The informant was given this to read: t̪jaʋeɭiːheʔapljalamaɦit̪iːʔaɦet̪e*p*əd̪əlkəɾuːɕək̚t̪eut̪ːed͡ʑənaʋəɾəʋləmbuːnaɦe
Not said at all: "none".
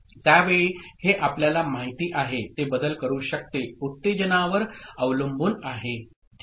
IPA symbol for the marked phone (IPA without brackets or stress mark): b